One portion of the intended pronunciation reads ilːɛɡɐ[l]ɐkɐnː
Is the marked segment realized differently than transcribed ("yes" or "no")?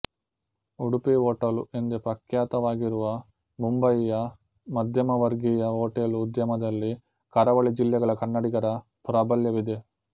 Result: yes